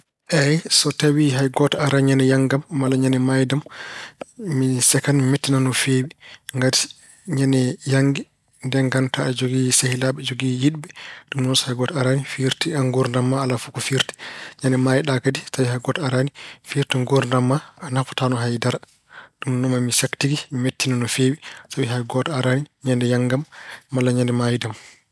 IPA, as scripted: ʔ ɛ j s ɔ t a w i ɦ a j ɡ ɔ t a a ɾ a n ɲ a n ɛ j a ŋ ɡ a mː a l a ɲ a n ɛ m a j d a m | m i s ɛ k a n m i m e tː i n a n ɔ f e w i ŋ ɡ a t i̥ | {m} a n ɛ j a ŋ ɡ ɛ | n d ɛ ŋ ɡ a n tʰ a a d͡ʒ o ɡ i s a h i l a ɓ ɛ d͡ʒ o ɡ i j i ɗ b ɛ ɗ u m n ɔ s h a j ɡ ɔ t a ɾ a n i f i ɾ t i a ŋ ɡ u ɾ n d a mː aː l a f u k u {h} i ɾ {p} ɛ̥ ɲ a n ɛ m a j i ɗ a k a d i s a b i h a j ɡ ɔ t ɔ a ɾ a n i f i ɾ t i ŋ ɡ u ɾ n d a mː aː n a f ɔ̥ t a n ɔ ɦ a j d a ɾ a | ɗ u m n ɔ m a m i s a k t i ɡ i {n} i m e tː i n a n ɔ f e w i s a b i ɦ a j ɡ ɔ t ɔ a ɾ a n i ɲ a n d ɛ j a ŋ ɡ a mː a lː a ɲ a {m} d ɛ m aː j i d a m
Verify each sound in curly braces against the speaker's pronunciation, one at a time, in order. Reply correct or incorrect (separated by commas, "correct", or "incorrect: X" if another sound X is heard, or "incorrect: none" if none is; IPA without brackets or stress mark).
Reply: incorrect: ɲ, incorrect: f, incorrect: t, incorrect: m, incorrect: n